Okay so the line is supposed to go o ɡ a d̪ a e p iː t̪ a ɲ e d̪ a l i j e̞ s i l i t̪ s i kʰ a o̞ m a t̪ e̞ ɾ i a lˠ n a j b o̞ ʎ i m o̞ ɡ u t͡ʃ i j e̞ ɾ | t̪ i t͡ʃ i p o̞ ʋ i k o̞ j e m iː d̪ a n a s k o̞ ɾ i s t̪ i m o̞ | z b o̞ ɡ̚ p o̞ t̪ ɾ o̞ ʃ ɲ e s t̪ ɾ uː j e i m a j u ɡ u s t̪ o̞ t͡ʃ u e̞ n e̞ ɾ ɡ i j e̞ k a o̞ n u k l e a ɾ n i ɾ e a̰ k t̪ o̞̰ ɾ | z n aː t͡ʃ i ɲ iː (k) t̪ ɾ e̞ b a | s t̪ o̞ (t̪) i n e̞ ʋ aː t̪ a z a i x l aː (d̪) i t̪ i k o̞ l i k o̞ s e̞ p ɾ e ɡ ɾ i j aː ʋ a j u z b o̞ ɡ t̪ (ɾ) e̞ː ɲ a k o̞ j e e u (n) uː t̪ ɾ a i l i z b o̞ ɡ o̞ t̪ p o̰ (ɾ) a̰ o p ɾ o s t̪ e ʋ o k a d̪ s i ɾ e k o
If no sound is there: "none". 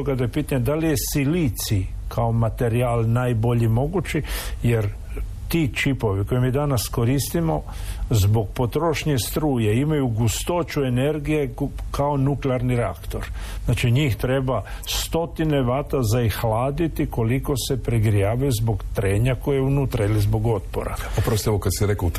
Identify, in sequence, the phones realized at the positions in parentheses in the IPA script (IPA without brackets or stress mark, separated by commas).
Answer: x, t̪, d̪, ɾ, n, ɾ